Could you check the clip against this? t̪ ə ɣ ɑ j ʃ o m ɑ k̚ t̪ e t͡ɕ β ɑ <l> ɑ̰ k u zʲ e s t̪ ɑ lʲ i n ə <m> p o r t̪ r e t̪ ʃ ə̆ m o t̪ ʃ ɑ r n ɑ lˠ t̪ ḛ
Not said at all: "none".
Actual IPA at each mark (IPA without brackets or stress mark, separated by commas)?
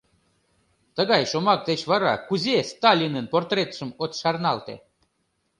ɾ, n